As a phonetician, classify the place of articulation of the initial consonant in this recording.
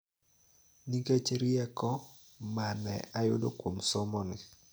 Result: alveolar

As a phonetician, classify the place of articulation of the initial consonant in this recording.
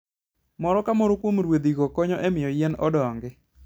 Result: labial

